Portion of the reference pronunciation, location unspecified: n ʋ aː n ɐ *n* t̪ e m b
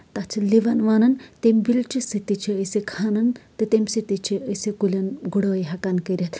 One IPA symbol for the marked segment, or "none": n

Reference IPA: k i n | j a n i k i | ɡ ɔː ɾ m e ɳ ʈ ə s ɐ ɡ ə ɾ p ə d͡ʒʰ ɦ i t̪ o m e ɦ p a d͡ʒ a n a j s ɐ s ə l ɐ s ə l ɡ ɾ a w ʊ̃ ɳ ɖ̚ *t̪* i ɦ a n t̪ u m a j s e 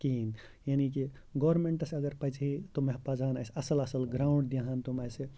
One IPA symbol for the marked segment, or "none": d̪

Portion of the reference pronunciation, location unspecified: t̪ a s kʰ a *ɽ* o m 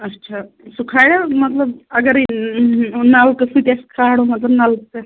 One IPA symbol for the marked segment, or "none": ɽ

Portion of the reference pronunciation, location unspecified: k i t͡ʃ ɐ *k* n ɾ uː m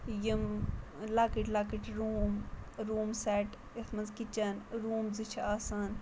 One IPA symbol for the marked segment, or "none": none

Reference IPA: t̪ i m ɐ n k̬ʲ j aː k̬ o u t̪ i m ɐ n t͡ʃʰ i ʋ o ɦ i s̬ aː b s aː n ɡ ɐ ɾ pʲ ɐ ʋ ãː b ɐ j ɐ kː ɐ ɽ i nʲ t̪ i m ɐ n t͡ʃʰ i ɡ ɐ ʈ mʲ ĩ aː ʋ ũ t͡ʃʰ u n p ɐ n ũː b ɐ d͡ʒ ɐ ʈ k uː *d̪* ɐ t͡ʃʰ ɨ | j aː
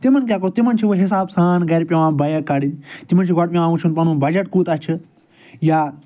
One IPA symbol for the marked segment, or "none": t̪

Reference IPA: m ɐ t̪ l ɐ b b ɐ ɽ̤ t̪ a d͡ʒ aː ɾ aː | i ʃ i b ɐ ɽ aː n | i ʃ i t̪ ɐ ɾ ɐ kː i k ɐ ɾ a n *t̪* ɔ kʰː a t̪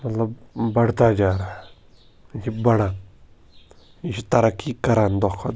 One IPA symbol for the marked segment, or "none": d̪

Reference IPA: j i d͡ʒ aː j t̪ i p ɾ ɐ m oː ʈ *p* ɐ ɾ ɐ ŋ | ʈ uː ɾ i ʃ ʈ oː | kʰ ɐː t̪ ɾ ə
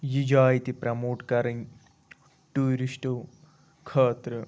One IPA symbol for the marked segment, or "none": k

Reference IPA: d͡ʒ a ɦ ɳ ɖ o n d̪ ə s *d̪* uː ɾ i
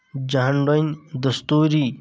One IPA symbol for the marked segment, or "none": t̪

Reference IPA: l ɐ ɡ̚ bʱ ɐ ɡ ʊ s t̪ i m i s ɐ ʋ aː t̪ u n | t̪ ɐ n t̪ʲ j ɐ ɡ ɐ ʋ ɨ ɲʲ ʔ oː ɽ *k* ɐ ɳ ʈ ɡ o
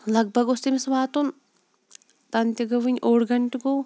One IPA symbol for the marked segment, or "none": ɡ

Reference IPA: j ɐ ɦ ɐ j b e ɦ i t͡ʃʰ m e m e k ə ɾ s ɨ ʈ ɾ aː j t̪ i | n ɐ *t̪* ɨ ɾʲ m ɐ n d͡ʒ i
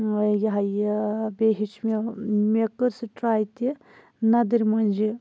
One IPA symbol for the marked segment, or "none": d̪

